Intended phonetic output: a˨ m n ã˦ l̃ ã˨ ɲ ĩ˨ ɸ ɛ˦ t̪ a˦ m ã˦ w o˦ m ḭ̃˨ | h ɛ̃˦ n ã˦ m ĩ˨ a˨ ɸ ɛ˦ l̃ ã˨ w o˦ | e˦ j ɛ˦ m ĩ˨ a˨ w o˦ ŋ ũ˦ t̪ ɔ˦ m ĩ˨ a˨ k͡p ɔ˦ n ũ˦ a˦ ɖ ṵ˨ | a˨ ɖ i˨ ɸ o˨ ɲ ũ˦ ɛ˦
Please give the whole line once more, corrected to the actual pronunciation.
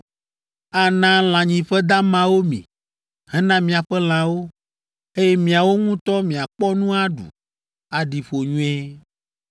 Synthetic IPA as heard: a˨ n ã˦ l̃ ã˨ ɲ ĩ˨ ɸ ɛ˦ d̪ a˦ m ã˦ w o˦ m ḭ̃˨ | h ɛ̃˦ n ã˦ m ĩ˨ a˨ ɸ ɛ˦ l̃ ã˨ w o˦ | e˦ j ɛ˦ m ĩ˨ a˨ w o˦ ŋ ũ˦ t̪ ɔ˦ m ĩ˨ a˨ k͡p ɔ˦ n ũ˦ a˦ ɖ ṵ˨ | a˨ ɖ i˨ ɸ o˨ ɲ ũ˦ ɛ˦